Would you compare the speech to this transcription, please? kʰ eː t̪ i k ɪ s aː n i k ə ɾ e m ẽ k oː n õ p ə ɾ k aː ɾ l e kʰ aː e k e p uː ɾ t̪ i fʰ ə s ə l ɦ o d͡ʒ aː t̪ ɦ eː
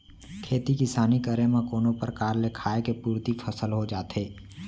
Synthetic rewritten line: kʰ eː t̪ i k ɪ s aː n i k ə ɾ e m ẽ k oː n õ p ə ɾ k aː ɾ l e kʰ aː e k e p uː ɾ t̪ i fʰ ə s ə l ɦ o d͡ʒ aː t̪ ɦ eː